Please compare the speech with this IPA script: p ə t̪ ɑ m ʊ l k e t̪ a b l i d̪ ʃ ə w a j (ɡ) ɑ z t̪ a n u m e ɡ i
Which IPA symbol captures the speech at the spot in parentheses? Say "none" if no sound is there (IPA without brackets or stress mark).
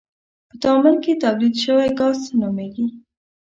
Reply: ɡ